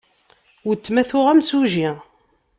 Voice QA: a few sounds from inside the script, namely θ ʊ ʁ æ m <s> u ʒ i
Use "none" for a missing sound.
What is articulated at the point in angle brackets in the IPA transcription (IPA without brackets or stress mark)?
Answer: s